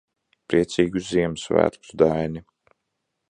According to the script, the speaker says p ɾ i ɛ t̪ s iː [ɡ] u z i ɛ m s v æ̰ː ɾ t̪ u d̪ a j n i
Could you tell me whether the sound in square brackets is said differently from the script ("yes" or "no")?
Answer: no